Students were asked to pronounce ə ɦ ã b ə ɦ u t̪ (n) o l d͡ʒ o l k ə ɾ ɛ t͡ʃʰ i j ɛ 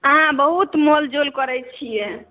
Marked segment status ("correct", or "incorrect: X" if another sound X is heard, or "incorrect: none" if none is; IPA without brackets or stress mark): incorrect: m